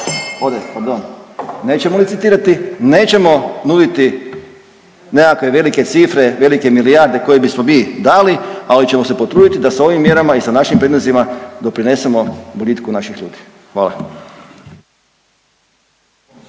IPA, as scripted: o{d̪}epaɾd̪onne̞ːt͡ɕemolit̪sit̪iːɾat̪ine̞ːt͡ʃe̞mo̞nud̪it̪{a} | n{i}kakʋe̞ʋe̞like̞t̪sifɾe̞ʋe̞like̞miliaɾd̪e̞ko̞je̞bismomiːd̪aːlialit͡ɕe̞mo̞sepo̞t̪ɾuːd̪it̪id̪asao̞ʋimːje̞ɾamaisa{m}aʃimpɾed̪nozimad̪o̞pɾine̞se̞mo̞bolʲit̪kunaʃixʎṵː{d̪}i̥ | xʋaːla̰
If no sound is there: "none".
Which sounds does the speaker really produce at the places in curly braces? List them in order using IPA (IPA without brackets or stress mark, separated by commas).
d̪, i, e, n, d̪